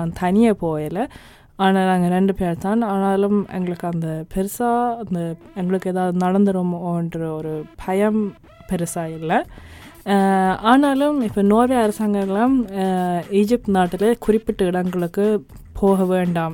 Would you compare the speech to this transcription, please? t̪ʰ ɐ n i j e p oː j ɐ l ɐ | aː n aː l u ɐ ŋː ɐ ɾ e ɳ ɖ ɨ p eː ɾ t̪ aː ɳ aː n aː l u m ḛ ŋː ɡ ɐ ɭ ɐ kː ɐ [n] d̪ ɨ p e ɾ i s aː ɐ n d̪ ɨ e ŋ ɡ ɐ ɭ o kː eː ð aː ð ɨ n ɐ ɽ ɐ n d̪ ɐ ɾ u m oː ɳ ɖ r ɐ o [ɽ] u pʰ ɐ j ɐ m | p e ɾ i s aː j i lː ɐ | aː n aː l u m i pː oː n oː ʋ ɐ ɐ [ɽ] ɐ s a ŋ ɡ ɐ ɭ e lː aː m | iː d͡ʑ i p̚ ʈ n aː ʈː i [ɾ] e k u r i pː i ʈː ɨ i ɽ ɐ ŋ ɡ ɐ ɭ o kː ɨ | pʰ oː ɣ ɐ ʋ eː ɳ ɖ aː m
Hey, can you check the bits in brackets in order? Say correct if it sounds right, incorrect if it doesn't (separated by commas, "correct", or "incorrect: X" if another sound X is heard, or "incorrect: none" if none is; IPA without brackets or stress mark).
correct, incorrect: ɾ, incorrect: ɾ, incorrect: l